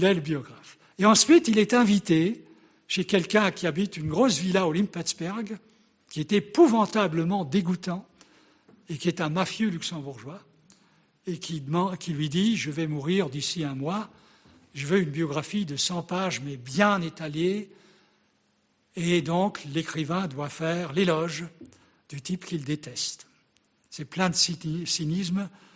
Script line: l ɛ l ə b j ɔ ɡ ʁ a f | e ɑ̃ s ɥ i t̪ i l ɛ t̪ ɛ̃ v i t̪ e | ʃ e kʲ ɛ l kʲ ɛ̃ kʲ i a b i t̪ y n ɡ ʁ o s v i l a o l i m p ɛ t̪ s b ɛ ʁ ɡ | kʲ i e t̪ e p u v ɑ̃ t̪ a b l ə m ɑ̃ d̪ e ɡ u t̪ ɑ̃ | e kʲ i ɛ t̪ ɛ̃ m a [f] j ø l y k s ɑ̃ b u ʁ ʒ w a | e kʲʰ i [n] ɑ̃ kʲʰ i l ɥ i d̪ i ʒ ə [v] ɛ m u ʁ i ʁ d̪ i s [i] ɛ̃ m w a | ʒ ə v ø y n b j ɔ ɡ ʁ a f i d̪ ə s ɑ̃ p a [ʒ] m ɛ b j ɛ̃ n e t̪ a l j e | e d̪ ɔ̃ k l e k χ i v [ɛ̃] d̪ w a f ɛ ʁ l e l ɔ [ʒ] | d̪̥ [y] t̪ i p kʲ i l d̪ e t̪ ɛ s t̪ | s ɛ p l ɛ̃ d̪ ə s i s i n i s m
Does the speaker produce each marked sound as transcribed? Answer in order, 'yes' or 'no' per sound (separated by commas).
yes, no, yes, yes, yes, yes, yes, yes